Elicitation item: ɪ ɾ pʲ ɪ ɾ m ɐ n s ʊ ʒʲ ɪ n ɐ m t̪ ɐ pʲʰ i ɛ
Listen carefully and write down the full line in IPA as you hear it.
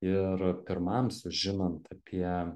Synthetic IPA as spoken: ɪ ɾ pʲ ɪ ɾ m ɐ m s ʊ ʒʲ ɪ n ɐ n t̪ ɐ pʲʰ i ɛ